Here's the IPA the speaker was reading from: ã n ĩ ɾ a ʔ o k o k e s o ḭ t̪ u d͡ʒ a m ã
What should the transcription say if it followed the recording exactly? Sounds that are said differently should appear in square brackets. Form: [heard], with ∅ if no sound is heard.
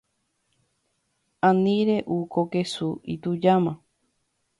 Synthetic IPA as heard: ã n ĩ ɾ [e] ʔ [u] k o k e s [u] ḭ t̪ u d͡ʒ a m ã